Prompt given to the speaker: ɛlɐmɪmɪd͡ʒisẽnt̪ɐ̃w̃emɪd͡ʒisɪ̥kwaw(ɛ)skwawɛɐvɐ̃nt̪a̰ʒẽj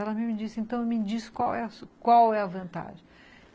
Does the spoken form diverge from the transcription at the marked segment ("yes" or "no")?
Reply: no